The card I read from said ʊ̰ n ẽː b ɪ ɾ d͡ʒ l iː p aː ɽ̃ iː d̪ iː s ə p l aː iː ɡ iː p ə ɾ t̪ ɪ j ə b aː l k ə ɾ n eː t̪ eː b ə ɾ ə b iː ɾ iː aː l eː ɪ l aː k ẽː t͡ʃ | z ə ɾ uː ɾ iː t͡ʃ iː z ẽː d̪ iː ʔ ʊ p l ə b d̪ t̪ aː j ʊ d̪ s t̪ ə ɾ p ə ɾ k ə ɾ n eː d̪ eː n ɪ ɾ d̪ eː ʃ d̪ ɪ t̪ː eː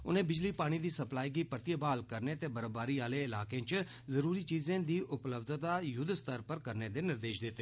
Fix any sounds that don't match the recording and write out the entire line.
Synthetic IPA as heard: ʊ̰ n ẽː b ɪ d͡ʒ l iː p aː ɽ̃ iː d̪ iː s ə p l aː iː ɡ iː p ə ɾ t̪ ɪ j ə b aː l k ə ɾ n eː t̪ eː b ə ɾ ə b aː ɾ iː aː l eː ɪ l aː k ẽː t͡ʃ | z ə ɾ uː ɾ iː t͡ʃ iː z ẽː d̪ iː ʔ ʊ p l ə b d̪ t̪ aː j ʊ d̪ s t̪ ə ɾ p ə ɾ k ə ɾ n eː d̪ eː n ɪ ɾ d̪ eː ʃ d̪ ɪ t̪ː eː